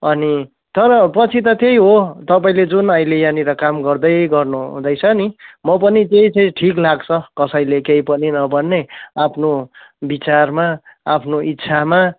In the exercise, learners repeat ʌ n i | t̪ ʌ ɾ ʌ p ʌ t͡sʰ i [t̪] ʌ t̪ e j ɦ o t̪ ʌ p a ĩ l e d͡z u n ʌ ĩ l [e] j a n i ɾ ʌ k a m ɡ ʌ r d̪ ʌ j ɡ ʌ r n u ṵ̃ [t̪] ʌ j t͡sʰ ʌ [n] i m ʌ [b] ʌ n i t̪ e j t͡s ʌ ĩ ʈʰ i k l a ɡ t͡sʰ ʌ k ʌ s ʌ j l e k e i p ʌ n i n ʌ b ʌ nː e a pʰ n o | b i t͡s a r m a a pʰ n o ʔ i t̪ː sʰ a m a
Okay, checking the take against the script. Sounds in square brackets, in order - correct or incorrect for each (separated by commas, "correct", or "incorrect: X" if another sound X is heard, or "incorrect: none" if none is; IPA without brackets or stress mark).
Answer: correct, correct, incorrect: d̪, correct, incorrect: p